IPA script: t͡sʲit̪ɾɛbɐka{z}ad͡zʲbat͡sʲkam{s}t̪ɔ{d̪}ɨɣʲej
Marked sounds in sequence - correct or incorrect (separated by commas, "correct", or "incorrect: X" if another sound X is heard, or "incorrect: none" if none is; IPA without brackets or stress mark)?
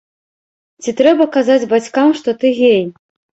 correct, incorrect: ʂ, incorrect: t̪